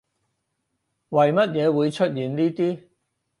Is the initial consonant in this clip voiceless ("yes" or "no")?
no